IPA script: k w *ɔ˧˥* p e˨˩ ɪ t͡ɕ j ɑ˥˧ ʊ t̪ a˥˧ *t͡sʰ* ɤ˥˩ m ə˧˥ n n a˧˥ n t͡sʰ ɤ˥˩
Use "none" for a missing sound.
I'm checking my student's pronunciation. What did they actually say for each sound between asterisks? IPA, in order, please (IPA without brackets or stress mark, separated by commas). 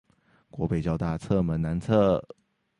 ɔ˧˥, t͡sʰ